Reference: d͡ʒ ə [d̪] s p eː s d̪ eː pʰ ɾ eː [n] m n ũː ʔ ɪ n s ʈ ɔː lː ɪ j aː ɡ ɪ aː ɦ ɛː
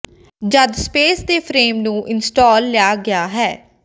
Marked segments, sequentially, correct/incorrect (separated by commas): correct, incorrect